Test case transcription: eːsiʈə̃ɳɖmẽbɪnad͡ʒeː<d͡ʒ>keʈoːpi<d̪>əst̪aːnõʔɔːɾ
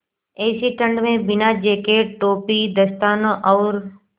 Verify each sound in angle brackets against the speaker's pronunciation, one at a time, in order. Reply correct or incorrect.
incorrect: none, correct

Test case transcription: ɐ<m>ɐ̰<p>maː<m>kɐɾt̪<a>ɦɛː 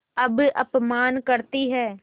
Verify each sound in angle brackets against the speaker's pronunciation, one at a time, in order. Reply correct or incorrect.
incorrect: b, correct, incorrect: n, incorrect: i

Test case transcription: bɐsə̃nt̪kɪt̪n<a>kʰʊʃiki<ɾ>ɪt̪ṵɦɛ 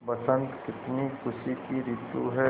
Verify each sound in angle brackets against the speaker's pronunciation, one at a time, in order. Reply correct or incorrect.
incorrect: i, correct

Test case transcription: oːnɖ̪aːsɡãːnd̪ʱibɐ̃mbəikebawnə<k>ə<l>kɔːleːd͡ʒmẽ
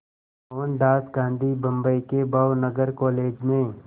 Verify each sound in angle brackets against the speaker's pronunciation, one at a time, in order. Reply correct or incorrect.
incorrect: ɡ, incorrect: ɾ

